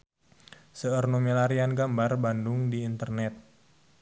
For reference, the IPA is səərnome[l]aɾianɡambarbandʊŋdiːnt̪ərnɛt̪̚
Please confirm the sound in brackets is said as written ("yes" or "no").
yes